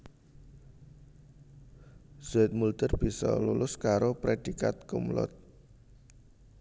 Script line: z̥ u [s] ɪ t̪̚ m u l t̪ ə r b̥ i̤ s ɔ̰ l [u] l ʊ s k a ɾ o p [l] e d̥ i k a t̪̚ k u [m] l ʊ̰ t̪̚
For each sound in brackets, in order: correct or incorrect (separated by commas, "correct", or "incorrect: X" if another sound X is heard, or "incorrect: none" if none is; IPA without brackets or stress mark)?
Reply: incorrect: none, correct, incorrect: ɾ, correct